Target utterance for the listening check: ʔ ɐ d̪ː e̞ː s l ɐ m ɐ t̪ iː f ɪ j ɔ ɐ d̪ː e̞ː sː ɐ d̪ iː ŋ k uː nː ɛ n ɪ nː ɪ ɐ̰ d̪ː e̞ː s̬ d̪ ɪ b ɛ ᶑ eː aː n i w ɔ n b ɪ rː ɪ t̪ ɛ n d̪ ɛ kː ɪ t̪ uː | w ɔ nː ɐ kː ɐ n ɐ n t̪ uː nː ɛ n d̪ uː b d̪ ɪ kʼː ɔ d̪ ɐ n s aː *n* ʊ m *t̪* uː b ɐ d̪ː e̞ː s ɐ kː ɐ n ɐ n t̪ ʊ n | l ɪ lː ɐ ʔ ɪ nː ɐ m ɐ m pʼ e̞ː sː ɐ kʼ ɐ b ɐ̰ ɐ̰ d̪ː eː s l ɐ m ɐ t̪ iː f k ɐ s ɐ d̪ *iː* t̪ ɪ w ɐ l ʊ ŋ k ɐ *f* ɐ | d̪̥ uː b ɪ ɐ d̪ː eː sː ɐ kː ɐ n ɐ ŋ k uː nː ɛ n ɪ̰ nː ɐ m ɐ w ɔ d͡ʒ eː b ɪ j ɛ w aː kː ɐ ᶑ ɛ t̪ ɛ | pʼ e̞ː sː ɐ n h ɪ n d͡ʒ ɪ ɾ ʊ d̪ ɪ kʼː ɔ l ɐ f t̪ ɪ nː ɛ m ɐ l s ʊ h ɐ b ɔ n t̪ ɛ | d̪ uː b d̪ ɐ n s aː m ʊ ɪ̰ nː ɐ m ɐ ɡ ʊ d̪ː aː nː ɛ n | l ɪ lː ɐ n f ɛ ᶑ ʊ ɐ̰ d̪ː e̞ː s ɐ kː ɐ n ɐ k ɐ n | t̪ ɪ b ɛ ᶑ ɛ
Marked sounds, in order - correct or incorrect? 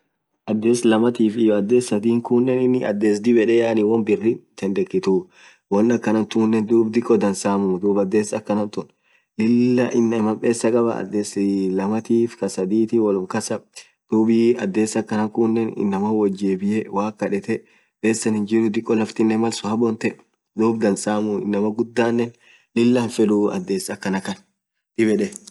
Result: incorrect: m, incorrect: d̪, correct, incorrect: s

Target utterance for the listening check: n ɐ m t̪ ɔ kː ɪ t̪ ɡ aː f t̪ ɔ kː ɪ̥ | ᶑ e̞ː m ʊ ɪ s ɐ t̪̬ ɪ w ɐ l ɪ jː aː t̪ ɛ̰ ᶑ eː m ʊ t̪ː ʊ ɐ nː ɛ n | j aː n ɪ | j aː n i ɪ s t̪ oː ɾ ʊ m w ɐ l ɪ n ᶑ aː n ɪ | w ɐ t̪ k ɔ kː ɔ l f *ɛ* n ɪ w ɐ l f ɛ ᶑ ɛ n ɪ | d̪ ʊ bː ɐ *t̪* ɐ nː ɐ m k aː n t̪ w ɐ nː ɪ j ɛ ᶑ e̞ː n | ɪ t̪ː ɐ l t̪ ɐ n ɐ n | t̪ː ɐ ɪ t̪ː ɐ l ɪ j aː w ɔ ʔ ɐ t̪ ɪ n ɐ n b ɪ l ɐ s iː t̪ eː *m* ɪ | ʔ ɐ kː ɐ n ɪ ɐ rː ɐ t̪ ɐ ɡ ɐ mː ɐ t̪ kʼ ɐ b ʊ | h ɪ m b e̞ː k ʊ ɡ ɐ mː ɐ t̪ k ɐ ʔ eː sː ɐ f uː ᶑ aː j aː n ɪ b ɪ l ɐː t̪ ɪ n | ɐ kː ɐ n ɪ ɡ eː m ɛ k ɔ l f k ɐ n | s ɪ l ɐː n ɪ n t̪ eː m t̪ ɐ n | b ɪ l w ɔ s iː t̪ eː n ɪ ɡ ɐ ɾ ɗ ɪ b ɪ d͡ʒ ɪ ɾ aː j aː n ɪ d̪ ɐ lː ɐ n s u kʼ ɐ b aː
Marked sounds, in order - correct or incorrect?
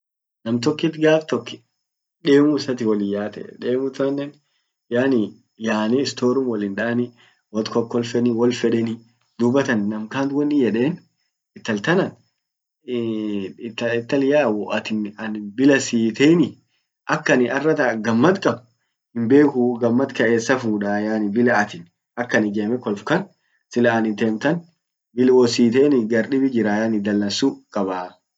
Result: correct, correct, incorrect: n

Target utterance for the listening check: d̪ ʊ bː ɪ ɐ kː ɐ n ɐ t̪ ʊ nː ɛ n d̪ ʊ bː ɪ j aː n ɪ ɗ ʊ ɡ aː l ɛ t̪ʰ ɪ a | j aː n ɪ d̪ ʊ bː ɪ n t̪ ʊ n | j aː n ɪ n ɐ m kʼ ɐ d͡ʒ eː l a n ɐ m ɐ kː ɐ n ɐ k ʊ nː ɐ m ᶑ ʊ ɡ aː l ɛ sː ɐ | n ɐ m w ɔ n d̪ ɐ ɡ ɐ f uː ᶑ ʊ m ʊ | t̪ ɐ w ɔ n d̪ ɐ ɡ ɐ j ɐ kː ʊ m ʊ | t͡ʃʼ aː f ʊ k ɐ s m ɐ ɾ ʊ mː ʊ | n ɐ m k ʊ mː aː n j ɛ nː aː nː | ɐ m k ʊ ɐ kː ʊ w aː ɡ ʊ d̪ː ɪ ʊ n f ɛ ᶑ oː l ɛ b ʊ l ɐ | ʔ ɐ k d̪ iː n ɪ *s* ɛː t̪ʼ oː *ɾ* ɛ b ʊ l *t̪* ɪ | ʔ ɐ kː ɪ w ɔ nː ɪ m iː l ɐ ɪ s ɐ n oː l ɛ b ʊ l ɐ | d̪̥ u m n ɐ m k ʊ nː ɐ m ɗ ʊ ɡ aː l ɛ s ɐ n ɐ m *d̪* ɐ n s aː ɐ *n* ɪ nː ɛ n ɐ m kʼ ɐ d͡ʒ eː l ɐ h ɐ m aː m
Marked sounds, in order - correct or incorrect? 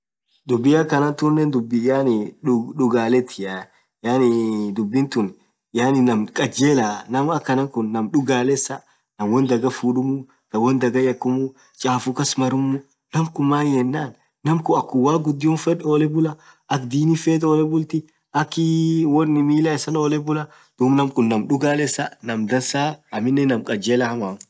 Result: incorrect: f, incorrect: l, correct, correct, incorrect: m

